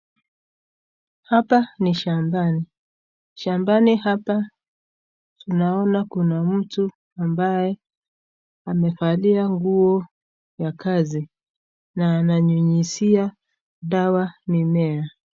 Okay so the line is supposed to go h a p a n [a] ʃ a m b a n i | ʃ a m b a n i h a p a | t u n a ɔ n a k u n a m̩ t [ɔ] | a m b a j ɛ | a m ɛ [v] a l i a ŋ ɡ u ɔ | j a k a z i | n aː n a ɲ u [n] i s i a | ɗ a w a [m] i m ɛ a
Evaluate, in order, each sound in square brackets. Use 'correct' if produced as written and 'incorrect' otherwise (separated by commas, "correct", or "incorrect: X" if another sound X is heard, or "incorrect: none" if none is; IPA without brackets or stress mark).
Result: incorrect: i, incorrect: u, incorrect: f, incorrect: ɲ, incorrect: n